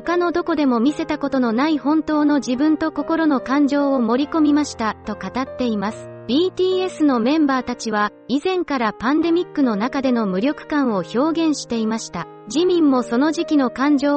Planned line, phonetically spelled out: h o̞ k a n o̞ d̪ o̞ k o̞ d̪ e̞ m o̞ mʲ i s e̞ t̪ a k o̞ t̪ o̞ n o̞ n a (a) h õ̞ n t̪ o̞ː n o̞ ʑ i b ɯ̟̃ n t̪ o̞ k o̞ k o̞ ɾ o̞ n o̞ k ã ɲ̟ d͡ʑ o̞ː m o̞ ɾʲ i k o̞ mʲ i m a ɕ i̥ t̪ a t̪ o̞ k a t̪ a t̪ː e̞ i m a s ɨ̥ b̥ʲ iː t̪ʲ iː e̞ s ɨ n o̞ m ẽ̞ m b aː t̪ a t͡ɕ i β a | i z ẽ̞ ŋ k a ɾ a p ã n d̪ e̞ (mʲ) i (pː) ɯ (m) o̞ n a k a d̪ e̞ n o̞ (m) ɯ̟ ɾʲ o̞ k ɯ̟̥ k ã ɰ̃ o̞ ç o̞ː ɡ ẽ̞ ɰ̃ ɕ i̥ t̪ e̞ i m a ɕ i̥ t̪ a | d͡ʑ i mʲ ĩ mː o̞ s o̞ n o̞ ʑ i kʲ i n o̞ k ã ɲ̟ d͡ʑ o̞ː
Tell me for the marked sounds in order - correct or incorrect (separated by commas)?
incorrect, correct, incorrect, incorrect, correct